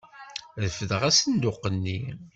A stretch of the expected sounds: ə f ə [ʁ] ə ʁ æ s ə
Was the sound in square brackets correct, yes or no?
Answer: no